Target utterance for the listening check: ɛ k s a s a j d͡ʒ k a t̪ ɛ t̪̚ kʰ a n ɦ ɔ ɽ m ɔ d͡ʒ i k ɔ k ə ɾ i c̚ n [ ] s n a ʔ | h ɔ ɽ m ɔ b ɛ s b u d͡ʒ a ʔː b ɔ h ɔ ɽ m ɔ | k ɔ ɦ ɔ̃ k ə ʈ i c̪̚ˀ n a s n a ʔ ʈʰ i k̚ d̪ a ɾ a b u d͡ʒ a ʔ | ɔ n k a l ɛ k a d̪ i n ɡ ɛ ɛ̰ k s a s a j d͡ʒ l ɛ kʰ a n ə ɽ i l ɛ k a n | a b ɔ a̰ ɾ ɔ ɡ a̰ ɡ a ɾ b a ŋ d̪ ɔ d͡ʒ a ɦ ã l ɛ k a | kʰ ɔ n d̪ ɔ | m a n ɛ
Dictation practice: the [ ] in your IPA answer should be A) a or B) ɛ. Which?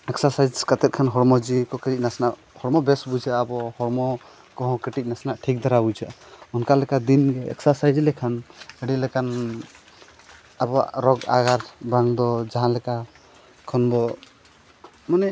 A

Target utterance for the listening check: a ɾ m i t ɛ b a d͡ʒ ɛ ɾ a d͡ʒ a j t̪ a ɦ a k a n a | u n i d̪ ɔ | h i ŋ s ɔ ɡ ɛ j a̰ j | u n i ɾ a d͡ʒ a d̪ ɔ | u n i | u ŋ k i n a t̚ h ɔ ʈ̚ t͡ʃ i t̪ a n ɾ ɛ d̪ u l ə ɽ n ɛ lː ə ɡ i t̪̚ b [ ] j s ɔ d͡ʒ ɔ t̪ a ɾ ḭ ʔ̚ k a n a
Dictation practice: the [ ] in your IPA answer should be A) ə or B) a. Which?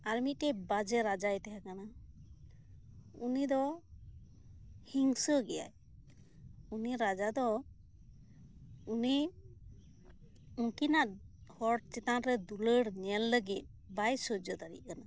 B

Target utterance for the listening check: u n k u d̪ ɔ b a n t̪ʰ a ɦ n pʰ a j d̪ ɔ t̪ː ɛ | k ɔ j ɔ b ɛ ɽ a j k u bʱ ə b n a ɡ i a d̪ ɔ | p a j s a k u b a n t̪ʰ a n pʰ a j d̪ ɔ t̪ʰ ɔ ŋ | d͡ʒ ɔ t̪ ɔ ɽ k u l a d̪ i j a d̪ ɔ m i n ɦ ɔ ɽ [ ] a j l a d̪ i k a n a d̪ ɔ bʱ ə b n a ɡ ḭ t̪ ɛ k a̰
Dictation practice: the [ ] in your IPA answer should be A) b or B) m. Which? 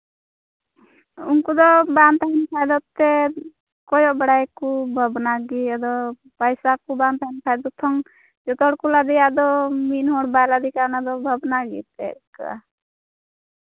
A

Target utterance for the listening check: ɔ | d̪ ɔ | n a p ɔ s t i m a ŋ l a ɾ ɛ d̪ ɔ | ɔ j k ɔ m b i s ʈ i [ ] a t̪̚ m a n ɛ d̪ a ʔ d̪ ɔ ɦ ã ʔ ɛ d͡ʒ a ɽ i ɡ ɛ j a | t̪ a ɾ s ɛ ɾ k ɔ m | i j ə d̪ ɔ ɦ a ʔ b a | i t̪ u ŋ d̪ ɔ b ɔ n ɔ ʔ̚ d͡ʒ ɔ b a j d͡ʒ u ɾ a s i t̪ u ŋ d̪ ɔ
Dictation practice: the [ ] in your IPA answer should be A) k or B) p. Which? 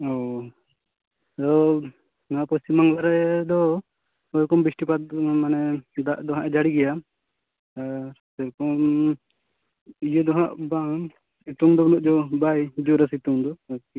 B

